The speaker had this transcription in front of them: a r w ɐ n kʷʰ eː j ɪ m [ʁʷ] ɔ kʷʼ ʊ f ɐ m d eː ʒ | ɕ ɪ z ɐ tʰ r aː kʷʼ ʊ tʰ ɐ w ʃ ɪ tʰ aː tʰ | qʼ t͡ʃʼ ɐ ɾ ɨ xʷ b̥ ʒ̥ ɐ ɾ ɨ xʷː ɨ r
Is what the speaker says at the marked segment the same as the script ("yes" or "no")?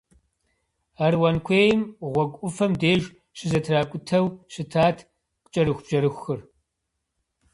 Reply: yes